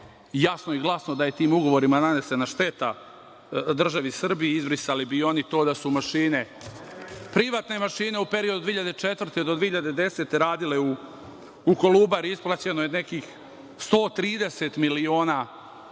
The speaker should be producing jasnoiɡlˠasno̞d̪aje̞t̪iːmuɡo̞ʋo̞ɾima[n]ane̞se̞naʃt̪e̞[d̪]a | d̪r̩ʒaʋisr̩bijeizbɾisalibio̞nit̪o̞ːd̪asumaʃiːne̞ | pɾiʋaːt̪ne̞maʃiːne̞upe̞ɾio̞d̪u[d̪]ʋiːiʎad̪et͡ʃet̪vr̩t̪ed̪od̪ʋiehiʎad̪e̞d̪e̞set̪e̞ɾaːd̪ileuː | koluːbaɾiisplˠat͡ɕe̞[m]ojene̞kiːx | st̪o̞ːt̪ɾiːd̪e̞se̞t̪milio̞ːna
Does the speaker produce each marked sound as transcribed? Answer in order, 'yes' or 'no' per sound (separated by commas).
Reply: yes, no, yes, no